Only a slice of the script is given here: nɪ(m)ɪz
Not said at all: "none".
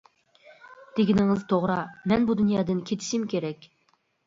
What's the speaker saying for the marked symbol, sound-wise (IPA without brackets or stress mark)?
ŋ